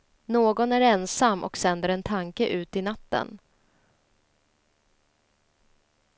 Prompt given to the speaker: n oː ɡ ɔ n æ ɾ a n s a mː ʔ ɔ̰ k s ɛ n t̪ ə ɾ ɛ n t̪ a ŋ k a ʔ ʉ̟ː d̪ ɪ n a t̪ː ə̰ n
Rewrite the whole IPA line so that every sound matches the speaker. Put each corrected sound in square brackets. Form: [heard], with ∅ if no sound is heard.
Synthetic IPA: n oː ɡ ɔ n æ ɾ [ɛ] n s a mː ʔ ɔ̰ k s ɛ n [d̪] ə ɾ ɛ n [t̪ʰ] a ŋ k [ə] ʔ ʉ̟ː [t̪] ɪ n a t̪ː ə̰ n